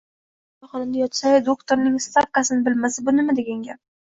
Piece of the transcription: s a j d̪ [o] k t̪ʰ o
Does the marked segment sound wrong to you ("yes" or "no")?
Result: no